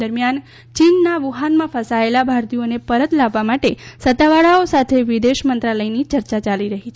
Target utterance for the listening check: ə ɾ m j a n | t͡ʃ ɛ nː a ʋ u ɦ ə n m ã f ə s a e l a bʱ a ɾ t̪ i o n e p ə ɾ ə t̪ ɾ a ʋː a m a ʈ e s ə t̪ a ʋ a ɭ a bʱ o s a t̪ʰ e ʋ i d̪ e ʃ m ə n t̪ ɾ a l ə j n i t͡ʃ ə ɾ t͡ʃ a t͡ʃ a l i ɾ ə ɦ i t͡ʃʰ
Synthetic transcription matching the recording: ə ɾ m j a n | t͡ʃ i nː a ʋ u ɦ a n m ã f ə s a e l a bʱ a ɾ t̪ i o n e p ə ɾ ə t̪ l a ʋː a m a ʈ e s ə t̪ a ʋ a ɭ a o s a t̪ʰ e ʋ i d̪ e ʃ m ə n t̪ ɾ a l ə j n i t͡ʃ ə ɾ t͡ʃ a t͡ʃ a l i ɾ ə ɦ i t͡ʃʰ